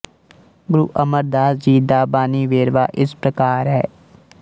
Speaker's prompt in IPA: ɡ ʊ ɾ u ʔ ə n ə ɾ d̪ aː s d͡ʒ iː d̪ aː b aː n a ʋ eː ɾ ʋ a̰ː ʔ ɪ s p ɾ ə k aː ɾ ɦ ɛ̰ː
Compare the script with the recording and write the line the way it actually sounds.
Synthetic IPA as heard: ɡ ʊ ɾ u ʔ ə m ə ɾ d̪ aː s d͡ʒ iː d̪ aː b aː n i ʋ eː ɾ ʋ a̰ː ʔ ɪ s p ɾ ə k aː ɾ ɦ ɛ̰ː